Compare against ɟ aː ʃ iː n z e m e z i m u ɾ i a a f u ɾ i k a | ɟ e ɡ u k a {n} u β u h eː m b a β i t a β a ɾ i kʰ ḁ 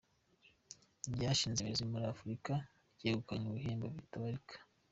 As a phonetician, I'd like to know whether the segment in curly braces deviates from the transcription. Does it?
yes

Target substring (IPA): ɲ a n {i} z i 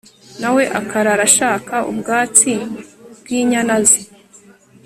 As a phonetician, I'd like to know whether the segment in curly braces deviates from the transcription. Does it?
yes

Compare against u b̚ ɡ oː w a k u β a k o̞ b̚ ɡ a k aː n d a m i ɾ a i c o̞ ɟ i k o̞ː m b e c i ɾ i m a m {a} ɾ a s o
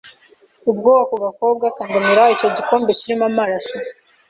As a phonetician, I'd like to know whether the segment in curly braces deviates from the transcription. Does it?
no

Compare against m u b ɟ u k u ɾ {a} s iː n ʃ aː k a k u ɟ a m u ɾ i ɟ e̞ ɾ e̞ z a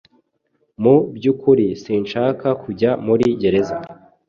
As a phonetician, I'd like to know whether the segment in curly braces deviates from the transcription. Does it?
yes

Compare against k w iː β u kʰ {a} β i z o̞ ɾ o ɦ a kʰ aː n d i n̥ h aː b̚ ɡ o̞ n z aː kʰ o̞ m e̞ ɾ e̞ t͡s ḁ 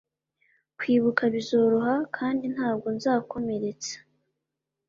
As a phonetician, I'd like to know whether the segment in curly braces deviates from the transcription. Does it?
no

